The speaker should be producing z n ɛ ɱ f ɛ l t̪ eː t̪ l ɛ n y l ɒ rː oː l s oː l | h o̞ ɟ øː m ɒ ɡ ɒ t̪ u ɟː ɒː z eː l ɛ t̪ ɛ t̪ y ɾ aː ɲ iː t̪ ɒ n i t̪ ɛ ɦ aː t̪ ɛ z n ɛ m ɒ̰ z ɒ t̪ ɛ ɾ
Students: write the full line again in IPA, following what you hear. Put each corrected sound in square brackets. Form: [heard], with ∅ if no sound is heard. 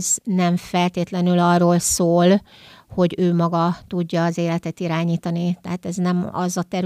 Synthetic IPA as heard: z n ɛ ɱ f ɛ l t̪ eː t̪ l ɛ n y l ɒ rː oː l s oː l | h o̞ ɟ øː m ɒ ɡ ɒ t̪ u ɟː ɒː z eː l ɛ t̪ ɛ t̪ [i] ɾ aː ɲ iː t̪ ɒ n i t̪ ɛ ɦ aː t̪ ɛ z n ɛ m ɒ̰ z ɒ t̪ ɛ ɾ